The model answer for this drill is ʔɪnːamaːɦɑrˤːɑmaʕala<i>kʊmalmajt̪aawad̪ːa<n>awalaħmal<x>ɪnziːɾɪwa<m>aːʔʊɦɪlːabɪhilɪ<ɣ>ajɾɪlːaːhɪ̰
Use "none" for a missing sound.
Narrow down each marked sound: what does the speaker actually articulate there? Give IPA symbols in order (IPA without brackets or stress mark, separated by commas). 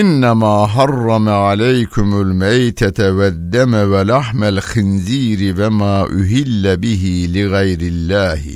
j, m, x, m, ɣ